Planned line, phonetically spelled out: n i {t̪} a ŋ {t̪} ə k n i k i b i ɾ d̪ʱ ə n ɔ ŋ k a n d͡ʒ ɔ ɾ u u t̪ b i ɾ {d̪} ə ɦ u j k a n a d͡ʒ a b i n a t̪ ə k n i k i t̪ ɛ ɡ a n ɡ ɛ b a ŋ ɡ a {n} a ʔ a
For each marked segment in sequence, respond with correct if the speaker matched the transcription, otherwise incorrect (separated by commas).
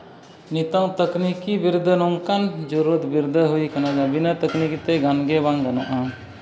correct, correct, correct, correct